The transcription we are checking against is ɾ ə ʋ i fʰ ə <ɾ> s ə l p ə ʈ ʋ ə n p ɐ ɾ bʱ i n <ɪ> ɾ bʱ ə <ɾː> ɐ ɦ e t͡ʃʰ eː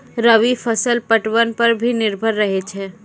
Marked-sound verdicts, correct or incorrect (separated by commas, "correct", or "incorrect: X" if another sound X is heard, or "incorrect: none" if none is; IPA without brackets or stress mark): incorrect: none, correct, correct